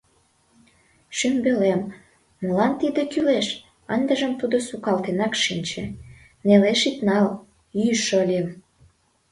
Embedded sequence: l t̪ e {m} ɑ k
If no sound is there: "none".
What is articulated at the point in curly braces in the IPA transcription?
n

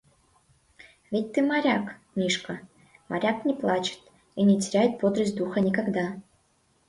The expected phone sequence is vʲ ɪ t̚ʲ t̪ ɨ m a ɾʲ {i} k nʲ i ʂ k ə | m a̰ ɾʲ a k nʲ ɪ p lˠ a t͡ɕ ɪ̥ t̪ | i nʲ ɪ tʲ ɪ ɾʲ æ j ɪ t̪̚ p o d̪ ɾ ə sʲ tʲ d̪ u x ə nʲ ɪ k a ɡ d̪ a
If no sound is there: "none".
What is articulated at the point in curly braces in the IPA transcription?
a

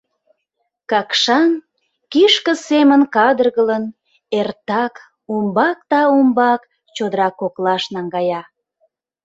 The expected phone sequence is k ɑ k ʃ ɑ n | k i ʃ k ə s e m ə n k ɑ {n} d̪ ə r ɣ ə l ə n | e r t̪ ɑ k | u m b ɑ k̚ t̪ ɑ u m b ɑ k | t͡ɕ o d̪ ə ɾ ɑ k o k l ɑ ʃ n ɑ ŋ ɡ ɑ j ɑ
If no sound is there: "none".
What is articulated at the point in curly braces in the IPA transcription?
none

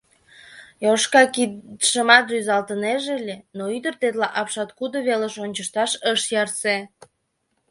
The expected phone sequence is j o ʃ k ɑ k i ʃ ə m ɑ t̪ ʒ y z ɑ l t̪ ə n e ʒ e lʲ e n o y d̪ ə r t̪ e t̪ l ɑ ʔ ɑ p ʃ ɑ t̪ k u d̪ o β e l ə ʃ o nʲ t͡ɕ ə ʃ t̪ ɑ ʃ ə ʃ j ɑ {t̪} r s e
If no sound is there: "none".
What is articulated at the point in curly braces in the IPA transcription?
none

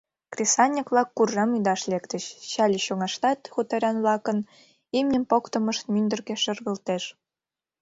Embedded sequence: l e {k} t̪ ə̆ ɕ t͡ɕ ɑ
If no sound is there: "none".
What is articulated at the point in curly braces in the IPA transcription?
k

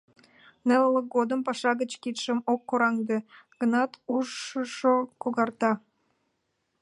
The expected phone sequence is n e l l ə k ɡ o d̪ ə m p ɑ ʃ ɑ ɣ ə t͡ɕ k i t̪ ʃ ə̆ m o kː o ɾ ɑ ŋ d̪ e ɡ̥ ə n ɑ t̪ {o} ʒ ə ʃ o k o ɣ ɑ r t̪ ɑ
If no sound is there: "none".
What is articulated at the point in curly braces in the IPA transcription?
u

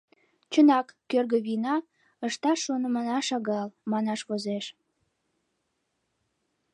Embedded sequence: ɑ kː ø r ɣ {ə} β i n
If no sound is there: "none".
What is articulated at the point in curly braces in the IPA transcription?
ə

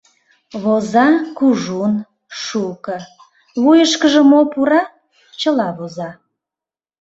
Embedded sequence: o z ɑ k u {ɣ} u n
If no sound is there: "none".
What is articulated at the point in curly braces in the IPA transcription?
ʒ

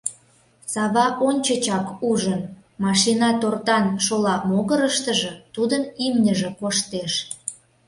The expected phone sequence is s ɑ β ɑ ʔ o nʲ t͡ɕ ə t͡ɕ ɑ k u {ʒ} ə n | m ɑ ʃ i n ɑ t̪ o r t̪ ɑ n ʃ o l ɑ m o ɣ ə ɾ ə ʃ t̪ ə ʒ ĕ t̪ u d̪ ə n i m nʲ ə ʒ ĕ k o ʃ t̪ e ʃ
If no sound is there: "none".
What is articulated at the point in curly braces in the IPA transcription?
ʒ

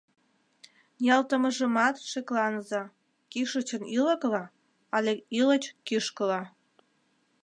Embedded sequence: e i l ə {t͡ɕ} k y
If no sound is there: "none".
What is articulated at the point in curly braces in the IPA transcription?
t͡ɕ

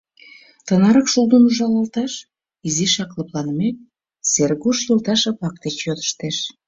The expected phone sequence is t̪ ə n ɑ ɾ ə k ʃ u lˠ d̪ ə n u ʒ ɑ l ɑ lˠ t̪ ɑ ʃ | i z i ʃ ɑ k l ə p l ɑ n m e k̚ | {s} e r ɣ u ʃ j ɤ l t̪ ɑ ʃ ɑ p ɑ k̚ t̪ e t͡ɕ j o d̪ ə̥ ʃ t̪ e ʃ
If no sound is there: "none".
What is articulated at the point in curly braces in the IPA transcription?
s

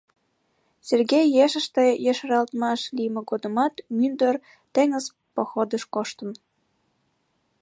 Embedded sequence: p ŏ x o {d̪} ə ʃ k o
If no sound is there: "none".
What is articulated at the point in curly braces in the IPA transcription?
d̪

